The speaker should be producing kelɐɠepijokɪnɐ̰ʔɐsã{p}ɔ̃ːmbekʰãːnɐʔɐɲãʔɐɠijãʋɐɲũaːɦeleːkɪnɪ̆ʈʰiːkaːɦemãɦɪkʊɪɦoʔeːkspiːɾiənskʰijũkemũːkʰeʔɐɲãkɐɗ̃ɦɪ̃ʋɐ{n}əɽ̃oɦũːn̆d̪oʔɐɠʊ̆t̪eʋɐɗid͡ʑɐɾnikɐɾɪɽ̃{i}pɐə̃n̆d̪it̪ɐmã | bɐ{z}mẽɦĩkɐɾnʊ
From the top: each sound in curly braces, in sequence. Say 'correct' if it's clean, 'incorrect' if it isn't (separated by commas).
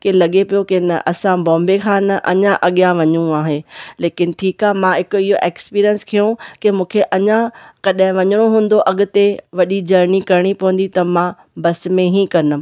incorrect, incorrect, correct, incorrect